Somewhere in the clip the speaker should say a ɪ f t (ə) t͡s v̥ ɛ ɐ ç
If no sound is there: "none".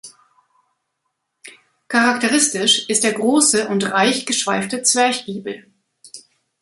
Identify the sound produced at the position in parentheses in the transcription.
ə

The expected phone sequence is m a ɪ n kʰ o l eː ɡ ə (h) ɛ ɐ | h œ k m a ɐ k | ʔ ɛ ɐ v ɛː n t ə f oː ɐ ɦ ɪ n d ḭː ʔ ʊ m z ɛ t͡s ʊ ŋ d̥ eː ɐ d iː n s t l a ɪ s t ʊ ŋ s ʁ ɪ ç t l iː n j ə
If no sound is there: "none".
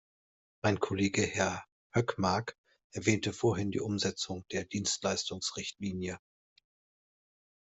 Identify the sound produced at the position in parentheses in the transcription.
h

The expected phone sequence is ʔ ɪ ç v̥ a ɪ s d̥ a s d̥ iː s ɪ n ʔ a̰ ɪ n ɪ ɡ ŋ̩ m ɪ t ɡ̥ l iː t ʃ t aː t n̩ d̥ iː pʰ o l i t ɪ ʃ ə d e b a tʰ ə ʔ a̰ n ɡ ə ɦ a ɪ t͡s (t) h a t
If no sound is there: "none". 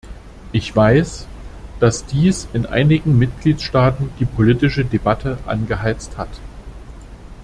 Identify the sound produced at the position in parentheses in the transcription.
t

